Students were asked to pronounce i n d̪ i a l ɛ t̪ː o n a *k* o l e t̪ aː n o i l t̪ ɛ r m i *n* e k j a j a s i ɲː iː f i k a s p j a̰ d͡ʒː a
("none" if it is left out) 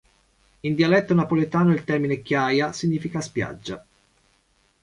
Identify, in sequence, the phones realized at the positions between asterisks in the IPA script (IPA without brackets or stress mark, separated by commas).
p, n